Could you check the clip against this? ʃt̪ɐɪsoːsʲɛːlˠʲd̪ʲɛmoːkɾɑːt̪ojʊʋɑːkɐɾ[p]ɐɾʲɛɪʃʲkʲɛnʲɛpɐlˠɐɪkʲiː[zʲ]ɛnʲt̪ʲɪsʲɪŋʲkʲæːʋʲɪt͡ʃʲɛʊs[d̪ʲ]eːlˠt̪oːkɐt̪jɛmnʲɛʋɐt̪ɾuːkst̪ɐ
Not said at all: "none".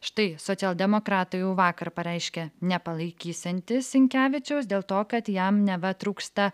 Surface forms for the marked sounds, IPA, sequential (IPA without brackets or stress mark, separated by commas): p, sʲ, d̪ʲ